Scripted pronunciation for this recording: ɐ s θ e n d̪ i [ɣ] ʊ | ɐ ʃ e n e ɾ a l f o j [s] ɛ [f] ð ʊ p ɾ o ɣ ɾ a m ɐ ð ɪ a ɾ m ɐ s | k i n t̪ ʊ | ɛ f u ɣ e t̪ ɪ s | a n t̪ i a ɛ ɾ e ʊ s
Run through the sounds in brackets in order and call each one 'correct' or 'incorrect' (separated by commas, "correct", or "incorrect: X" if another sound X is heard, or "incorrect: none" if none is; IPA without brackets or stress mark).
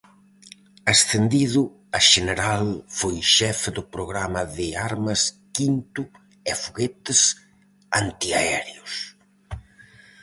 incorrect: ð, incorrect: ʃ, correct